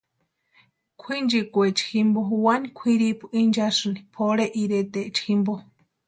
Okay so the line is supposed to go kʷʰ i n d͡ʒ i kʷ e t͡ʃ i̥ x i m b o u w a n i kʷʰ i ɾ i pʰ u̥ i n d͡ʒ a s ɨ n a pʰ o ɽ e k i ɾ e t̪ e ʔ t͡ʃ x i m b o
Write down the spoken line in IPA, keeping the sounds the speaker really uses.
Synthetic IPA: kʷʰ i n d͡ʒ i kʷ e t͡ʃ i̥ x i m b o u w a n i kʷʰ i ɾ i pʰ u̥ i n d͡ʒ a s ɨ n i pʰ o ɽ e ʔ i ɾ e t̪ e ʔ t͡ʃ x i m b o